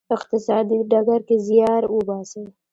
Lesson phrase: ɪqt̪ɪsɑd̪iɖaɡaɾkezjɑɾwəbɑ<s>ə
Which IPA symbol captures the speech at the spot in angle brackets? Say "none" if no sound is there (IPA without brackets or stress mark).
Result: s